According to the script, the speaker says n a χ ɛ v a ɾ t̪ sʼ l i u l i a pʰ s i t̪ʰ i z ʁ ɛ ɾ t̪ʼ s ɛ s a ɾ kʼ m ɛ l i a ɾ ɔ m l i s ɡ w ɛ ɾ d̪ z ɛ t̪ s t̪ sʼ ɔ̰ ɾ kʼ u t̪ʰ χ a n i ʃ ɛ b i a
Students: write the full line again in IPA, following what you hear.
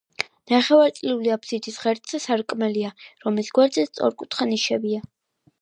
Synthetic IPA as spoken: n a χ ɛ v a ɾ t̪ sʼ l i u l i a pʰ s i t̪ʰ i s ʁ ɛ ɾ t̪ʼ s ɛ s a ɾ kʼ m ɛ l i a ɾ ɔ m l i s ɡ w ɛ ɾ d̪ z ɛ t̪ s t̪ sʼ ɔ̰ ɾ kʼ u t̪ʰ χ a n i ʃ ɛ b i a